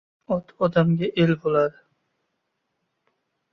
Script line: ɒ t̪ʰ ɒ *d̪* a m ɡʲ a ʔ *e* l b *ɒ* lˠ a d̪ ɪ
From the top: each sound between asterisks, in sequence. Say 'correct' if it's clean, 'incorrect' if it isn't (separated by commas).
correct, correct, incorrect